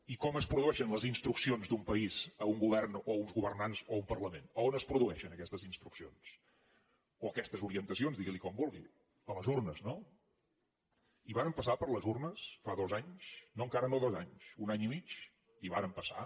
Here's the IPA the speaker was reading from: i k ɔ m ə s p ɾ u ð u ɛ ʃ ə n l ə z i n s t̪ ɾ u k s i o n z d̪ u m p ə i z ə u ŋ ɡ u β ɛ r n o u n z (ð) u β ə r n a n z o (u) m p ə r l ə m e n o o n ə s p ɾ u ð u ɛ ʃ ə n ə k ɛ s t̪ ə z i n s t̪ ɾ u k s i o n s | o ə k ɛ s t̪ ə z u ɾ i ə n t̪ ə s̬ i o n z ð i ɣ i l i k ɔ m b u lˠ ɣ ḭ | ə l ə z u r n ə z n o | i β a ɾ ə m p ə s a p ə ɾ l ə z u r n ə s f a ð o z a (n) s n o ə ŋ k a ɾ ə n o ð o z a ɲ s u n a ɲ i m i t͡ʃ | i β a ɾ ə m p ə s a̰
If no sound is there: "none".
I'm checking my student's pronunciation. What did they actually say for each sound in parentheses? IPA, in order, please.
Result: ɣ, u, ɲ

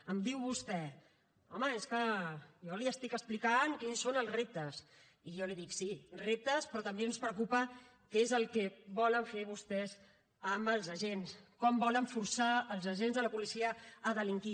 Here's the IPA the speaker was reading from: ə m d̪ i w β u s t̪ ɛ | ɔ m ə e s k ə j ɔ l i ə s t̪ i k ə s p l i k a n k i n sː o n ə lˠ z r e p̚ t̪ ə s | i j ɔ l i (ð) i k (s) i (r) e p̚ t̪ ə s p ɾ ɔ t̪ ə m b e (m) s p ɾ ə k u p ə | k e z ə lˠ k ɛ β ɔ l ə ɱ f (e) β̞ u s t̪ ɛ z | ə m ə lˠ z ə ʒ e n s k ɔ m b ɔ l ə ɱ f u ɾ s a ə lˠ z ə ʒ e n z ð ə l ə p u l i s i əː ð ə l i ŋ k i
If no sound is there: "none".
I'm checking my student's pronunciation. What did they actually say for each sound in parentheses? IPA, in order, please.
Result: ð, s, r, n, e

